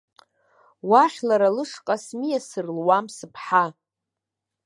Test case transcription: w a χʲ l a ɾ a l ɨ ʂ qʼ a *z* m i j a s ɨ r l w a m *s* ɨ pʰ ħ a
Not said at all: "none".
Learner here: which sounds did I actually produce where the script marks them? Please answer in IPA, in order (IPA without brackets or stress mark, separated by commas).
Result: s, s